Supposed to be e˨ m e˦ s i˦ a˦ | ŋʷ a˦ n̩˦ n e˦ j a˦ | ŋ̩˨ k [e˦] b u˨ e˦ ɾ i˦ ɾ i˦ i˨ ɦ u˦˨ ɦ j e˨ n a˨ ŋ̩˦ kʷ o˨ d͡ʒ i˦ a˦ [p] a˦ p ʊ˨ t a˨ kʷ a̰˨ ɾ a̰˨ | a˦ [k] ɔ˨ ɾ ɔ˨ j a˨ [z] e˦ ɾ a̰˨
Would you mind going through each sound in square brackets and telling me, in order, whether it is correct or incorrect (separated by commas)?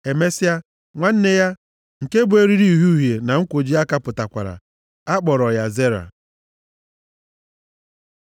correct, incorrect, incorrect, correct